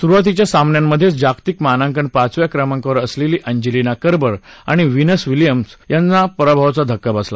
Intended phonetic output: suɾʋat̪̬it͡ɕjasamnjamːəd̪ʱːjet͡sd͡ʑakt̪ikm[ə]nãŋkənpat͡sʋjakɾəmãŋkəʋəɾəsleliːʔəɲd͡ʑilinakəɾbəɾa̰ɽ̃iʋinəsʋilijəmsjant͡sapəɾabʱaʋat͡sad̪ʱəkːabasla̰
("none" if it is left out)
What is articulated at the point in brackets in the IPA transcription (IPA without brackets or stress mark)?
a